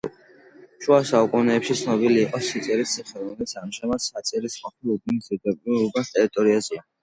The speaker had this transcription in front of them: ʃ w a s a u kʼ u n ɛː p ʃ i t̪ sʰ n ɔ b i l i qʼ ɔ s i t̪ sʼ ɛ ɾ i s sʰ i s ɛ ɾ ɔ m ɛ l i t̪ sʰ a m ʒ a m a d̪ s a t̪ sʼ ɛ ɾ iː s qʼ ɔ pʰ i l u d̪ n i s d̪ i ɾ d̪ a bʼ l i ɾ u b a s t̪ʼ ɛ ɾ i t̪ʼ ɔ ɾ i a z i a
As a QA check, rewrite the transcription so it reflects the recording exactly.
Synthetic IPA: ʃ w a s a u kʼ u n ɛː p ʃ i t̪ sʰ n ɔ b i l iː qʼ ɔ s i t̪ sʼ ɛ ɾ i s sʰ i χ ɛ ɾ ɔ m ɛ l i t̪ sʰ a m ʒ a m a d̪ s a t̪ sʼ ɛ ɾ i s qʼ ɔ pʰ i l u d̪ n i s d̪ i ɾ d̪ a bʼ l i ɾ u b a s t̪ʼ ɛ ɾ i t̪ʼ ɔ ɾ i a z i a